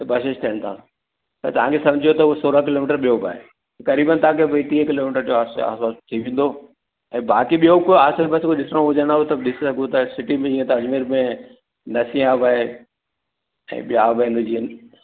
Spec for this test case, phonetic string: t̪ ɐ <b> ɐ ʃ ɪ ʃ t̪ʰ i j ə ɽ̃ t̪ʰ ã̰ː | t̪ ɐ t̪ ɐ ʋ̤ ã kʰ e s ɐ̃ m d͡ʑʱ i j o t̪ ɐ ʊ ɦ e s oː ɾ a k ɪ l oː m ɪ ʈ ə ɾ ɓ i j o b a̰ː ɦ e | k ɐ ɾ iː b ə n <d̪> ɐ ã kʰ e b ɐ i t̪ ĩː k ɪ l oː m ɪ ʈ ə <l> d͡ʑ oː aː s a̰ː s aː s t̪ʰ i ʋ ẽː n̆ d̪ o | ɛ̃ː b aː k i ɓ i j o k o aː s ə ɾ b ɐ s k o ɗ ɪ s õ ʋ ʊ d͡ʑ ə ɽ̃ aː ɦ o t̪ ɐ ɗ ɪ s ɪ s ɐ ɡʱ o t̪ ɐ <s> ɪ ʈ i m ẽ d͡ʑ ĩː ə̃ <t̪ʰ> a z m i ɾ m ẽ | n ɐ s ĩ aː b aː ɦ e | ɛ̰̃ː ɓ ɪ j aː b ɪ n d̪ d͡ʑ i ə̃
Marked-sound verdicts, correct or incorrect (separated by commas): correct, incorrect, incorrect, correct, incorrect